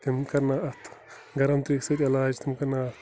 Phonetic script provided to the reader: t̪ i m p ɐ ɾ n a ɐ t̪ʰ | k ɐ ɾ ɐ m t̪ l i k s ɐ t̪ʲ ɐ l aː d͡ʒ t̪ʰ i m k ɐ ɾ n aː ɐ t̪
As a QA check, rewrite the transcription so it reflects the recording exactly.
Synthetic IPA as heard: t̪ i m k ɐ ɾ n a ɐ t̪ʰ | ɡ ɐ ɾ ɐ m t̪ ɾ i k s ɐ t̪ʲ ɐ l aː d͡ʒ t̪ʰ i m k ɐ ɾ n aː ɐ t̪